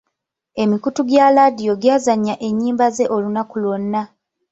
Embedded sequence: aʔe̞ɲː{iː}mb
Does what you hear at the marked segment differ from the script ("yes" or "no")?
no